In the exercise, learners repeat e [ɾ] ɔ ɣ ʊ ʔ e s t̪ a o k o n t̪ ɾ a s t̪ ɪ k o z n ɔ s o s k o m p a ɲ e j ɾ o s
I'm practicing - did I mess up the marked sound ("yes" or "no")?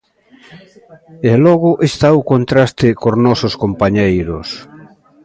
yes